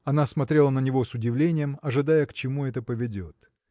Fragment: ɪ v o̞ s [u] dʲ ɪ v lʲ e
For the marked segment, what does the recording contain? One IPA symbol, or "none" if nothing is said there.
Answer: ʊ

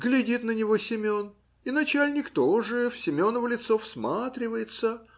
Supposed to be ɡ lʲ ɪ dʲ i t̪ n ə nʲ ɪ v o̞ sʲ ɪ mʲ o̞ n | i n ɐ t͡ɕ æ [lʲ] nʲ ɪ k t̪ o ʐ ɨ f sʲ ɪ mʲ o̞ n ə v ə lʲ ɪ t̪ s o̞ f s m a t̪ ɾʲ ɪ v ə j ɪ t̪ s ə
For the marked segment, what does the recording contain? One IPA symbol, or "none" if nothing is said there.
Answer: lʲ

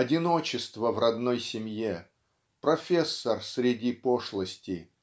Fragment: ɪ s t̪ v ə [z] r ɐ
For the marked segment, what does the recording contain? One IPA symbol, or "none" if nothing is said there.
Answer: v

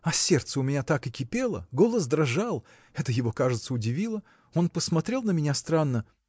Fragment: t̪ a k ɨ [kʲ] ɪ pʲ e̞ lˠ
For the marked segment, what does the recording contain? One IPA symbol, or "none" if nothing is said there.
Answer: kʲ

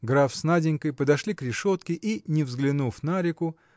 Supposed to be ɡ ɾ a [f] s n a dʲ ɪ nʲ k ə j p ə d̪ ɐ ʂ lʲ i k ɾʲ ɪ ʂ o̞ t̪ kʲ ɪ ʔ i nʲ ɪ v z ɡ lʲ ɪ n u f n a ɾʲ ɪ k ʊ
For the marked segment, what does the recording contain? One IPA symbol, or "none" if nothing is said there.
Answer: f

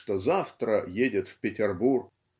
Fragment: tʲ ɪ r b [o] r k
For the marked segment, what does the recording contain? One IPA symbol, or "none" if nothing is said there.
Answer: u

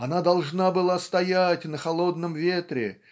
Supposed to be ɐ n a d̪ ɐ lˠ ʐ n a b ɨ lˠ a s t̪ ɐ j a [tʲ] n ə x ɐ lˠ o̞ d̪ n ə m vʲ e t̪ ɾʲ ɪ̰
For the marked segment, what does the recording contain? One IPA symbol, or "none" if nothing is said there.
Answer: tʲ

